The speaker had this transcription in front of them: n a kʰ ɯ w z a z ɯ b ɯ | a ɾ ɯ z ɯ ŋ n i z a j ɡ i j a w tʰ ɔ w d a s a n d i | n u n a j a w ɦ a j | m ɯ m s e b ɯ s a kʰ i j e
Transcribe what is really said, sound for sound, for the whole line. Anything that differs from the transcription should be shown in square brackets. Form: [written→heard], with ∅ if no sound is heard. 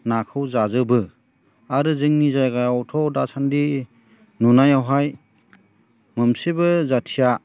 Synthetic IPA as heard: n a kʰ ɯ w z a z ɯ b ɯ | a ɾ ɯ z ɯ ŋ n i z a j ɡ [i→a] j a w tʰ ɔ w d a s a n d i | n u n a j a w ɦ a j | m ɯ m s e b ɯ [s→z] a [kʰ→tʰ] i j [e→a]